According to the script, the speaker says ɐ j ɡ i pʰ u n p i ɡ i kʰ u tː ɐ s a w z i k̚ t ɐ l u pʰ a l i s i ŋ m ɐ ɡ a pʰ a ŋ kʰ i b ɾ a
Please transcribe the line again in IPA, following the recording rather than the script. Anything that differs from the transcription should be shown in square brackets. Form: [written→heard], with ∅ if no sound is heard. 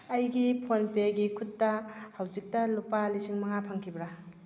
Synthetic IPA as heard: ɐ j ɡ i pʰ [u→o] n p [i→e] ɡ i kʰ u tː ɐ [s→h] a w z i k̚ t ɐ l u [pʰ→p] a l i s i ŋ m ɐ [ɡ→ŋ] a pʰ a ŋ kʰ i b ɾ a